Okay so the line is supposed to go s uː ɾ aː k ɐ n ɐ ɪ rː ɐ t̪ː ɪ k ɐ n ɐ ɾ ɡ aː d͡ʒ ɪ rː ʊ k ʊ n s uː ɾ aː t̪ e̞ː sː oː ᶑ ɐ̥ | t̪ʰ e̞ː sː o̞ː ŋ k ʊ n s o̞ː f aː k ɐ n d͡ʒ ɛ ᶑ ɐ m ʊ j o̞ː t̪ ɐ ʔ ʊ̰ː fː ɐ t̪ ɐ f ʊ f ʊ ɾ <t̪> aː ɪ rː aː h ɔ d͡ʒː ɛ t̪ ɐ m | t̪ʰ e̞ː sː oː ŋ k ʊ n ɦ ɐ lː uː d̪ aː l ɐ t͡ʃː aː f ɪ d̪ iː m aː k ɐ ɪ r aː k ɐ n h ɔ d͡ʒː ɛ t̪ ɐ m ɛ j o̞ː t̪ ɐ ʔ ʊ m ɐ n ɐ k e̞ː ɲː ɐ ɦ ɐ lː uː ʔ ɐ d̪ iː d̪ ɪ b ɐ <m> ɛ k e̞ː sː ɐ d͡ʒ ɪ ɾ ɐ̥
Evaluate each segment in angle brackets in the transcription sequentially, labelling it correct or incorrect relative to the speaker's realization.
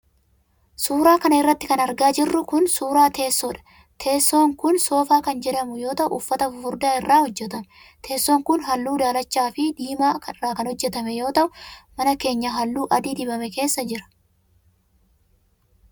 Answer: incorrect: d̪, correct

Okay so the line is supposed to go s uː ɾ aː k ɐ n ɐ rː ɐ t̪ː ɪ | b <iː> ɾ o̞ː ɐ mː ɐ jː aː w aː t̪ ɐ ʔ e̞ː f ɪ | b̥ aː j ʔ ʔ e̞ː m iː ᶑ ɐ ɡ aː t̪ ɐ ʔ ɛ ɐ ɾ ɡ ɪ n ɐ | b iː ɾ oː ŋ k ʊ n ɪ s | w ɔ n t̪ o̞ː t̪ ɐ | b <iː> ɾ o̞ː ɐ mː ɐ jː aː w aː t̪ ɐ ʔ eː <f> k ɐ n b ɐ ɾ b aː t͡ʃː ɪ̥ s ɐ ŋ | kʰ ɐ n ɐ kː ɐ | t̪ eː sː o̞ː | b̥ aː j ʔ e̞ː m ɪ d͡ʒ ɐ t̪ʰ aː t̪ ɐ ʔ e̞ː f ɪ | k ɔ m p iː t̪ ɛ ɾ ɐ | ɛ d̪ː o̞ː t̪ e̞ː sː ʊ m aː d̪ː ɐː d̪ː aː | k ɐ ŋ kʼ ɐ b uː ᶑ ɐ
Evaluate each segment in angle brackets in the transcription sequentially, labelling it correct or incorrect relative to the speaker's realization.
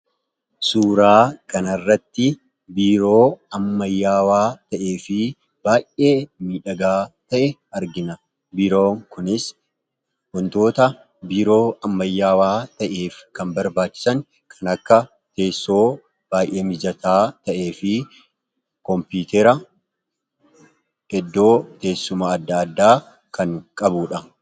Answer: correct, correct, correct

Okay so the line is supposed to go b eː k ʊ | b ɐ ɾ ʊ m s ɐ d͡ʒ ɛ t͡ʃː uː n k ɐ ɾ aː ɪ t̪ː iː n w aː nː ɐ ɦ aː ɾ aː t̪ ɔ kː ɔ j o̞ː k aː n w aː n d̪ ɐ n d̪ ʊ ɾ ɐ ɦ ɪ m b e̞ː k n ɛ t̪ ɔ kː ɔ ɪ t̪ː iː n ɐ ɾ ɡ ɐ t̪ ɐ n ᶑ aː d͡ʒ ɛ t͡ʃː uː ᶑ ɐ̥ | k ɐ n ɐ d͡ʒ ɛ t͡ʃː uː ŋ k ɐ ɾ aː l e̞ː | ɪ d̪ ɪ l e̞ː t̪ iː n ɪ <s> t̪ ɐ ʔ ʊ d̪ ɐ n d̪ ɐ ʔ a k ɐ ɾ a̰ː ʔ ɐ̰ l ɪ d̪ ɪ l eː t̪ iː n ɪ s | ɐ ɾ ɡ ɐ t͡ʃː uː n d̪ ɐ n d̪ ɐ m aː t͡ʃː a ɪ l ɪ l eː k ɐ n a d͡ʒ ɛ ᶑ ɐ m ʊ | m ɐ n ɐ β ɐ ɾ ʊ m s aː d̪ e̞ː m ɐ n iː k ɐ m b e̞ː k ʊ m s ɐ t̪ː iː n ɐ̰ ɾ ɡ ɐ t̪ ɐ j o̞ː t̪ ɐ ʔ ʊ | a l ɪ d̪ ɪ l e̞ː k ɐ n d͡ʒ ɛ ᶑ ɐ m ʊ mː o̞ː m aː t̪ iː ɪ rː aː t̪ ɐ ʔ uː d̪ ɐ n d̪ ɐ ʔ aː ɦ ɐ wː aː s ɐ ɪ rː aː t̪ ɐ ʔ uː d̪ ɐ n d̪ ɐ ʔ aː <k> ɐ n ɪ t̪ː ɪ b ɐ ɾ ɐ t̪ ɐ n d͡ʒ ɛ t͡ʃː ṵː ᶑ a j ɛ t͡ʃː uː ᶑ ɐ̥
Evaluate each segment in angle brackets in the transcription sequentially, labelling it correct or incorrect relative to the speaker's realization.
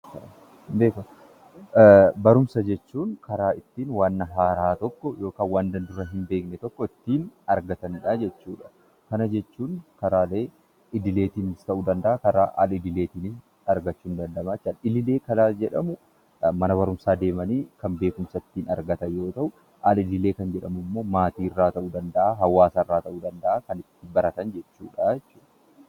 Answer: correct, correct

